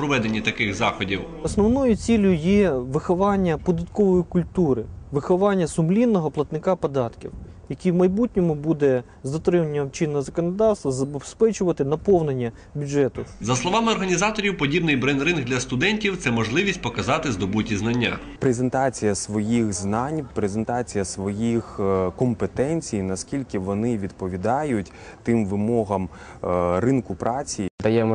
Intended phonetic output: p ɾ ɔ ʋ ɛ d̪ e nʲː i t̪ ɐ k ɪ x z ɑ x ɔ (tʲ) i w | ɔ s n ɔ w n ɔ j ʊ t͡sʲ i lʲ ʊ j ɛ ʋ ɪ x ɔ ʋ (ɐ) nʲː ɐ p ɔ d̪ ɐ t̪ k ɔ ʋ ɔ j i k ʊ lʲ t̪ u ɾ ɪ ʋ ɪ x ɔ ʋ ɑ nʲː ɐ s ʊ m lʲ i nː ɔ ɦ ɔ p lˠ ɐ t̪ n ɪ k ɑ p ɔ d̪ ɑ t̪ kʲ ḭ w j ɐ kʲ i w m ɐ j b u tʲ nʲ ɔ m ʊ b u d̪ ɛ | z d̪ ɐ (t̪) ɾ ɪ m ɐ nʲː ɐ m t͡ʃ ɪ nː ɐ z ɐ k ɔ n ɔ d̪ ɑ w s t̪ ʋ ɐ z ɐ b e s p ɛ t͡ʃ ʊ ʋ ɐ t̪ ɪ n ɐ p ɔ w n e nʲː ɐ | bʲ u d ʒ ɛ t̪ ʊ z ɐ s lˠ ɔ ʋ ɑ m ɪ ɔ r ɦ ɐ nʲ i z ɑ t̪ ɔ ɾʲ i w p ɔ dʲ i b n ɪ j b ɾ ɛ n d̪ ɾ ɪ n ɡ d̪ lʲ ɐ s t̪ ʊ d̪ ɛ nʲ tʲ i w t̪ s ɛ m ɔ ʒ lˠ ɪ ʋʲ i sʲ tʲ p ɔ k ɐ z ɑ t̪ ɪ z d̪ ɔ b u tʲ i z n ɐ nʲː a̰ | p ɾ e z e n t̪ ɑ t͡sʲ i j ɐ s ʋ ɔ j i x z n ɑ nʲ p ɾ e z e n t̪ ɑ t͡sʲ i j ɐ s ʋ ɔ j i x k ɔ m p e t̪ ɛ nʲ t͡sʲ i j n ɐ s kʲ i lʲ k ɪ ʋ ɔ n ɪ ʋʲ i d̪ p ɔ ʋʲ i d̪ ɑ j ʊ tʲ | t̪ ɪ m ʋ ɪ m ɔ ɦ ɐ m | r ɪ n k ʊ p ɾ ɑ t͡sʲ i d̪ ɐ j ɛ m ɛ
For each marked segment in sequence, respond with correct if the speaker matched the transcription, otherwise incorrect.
incorrect: dʲ, incorrect: ɑ, correct

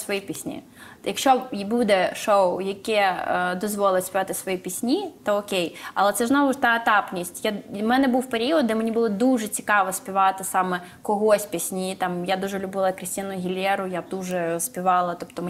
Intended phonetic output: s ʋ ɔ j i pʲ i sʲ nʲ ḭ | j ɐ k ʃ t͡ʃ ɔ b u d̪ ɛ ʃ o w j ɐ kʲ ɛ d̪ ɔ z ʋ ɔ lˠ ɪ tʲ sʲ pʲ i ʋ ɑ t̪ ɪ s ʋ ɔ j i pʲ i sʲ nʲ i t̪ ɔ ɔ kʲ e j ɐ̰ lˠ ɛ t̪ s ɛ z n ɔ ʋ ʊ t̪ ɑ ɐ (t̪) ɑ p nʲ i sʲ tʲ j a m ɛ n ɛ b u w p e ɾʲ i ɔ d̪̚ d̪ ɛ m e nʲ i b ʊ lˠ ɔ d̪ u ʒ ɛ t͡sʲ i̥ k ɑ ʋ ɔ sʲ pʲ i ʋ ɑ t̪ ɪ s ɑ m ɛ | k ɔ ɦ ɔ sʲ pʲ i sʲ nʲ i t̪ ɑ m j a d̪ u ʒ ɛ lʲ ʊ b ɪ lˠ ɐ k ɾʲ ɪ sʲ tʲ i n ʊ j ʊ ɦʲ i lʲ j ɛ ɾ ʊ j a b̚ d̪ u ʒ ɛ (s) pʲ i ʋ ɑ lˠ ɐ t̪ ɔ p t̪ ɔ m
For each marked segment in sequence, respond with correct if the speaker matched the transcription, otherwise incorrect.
correct, correct

